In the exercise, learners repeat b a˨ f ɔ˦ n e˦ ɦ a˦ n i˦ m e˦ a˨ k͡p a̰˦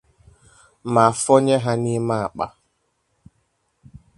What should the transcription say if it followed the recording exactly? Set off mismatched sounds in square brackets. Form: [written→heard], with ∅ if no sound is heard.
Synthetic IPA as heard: [b→m] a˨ f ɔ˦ [n→ɲ] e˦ ɦ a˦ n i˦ m [e˦→a˦] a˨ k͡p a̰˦